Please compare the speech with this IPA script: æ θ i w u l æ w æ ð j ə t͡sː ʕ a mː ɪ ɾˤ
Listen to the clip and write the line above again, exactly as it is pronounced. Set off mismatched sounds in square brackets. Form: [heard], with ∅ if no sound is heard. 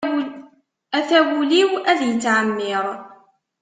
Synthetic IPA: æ θ [æ] w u l [i] w æ ð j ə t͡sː ʕ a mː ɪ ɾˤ